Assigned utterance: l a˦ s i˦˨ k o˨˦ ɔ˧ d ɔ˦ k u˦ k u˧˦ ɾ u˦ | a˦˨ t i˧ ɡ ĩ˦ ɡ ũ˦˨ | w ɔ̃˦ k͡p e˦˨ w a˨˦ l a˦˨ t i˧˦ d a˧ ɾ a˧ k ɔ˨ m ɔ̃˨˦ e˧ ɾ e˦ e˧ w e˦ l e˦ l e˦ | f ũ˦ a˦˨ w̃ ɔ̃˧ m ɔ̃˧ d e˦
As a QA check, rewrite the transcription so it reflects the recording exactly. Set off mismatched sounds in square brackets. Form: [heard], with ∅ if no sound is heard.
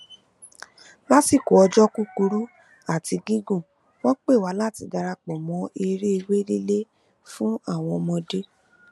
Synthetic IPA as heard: l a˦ s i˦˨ k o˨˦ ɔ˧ [d͡ʒ] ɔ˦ k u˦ k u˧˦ ɾ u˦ | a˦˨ t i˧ ɡ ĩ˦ ɡ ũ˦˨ | w ɔ̃˦ k͡p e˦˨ w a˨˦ l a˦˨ t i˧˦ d a˧ ɾ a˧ [k͡p] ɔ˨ m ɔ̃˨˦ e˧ ɾ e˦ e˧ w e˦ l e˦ l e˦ | f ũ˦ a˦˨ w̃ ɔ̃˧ m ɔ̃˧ d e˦